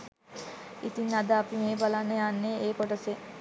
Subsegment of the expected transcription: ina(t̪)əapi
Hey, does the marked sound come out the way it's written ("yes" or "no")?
no